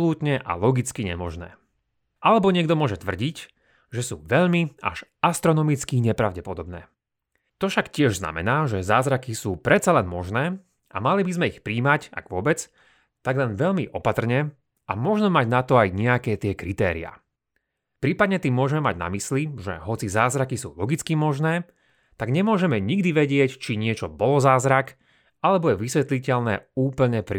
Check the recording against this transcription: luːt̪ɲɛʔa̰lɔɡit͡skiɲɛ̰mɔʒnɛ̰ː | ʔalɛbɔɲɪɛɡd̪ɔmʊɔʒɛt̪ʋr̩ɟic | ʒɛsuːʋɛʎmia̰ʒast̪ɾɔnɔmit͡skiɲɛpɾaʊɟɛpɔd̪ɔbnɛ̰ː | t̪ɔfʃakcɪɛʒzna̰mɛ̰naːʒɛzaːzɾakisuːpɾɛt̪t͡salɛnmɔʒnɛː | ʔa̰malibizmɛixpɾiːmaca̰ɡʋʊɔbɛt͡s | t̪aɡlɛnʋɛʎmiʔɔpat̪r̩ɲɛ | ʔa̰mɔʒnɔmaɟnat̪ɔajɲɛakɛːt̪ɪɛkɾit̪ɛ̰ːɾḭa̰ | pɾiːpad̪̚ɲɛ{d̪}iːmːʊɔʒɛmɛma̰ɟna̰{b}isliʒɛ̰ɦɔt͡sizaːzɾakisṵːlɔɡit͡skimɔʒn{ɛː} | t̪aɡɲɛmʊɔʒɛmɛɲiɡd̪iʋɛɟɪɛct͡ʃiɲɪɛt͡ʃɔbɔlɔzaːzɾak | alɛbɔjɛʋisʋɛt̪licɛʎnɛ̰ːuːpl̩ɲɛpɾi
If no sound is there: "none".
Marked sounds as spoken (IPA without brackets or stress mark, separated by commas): t̪, m, ɛː